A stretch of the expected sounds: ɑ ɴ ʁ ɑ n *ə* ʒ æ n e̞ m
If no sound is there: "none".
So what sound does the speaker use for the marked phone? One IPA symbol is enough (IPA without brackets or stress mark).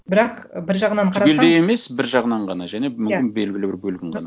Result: ɑ